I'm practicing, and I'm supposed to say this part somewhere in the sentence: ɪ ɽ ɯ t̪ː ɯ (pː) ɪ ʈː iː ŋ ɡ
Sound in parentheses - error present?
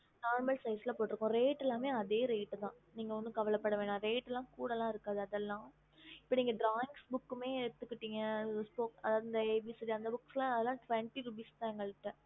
yes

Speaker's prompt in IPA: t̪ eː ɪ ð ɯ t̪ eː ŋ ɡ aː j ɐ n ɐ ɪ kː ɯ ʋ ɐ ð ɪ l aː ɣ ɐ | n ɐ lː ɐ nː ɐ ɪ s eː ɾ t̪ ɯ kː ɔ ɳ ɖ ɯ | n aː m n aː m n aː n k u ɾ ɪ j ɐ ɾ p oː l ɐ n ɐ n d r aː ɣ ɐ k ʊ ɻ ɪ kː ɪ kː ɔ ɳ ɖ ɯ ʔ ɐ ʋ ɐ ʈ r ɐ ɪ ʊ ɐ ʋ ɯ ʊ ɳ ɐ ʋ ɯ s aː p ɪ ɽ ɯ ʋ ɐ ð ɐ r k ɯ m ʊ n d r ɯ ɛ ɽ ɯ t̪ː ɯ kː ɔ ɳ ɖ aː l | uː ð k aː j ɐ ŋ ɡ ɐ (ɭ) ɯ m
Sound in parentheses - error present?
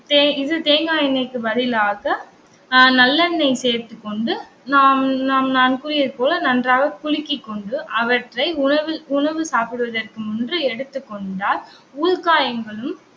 no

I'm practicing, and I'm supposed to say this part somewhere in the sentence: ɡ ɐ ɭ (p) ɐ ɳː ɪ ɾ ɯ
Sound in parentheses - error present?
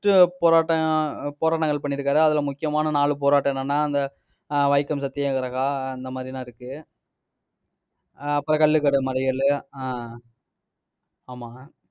no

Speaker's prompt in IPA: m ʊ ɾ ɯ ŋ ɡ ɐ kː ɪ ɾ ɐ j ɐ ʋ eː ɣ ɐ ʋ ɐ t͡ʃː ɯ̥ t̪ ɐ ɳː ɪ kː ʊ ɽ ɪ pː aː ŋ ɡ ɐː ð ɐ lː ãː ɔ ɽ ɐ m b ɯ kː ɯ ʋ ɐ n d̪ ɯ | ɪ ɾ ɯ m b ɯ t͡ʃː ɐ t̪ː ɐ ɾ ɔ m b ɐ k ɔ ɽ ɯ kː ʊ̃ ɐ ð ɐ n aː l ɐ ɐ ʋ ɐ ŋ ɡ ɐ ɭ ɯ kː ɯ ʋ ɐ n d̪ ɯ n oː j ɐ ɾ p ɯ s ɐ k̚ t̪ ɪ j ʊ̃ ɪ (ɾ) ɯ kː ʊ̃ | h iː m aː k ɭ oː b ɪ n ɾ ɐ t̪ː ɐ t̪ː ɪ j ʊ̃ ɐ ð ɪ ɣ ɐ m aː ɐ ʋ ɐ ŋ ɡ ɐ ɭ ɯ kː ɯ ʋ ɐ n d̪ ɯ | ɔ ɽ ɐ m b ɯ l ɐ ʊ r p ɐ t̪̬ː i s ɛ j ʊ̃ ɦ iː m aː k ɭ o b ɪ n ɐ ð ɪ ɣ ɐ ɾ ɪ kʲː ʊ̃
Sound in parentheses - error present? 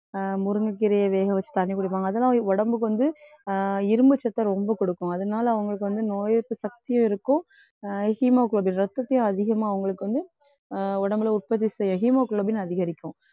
no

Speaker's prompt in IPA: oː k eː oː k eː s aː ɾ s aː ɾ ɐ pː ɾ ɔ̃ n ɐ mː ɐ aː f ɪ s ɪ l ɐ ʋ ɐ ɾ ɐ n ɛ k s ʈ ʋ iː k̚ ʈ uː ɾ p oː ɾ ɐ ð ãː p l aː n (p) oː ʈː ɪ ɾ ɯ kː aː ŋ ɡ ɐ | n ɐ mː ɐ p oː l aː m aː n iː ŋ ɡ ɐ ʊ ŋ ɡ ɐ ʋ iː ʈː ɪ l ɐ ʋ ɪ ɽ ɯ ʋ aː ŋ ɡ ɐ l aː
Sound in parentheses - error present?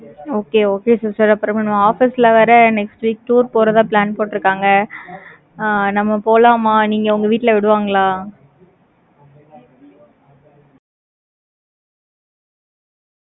no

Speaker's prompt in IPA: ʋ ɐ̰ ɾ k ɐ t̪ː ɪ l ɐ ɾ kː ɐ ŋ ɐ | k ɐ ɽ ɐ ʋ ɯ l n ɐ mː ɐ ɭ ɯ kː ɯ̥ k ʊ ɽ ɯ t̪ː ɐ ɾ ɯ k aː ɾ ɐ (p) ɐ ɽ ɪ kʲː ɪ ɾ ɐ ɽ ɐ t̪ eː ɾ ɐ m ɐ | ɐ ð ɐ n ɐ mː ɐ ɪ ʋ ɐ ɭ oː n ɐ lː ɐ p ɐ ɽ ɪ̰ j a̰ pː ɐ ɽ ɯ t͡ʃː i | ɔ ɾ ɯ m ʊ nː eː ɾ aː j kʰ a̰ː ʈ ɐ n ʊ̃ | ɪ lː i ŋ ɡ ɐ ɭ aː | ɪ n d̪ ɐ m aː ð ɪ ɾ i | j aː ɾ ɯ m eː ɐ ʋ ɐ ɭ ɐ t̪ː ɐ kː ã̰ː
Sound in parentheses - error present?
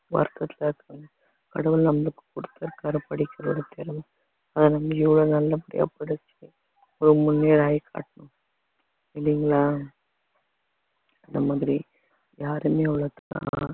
no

